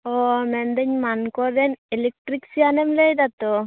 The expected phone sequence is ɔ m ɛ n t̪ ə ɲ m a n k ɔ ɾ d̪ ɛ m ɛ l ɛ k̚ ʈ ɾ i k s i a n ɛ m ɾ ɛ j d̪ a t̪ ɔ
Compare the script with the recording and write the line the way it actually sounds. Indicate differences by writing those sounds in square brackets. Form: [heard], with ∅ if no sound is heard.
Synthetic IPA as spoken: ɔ m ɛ n [d̪] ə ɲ m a n k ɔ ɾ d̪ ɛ [n] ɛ l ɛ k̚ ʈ ɾ i k s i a n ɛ m [l] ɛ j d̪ a t̪ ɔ